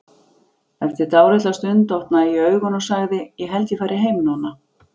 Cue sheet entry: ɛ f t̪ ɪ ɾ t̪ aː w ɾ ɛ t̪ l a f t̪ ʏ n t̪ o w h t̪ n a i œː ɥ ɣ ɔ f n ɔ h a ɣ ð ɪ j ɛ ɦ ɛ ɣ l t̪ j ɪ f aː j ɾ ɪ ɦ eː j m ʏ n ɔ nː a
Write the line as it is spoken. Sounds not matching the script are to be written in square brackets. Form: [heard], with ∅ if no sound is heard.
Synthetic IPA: ɛ f t̪ ɪ ɾ t̪ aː w ɾ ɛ t̪ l a [s] t̪ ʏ n t̪ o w h t̪ n a i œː ɥ ɣ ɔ [∅] n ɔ [s] a ɣ ð ɪ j ɛ ɦ ɛ [∅] l t̪ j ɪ f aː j ɾ ɪ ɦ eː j m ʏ n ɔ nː a